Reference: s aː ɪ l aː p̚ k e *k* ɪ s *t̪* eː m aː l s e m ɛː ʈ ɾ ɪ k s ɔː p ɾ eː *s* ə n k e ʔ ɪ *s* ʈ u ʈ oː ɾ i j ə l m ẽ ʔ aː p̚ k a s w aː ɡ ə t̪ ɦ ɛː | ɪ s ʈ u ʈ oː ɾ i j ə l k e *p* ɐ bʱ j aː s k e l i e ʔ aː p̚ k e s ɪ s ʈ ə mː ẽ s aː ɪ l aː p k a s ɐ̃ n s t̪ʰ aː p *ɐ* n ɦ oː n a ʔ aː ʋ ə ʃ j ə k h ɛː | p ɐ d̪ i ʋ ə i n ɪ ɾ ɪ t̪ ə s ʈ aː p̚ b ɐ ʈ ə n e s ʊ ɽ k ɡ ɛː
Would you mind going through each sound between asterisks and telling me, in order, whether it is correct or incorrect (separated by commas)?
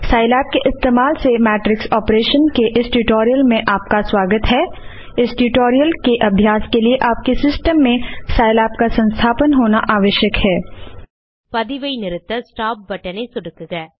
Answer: incorrect, correct, incorrect, correct, incorrect, incorrect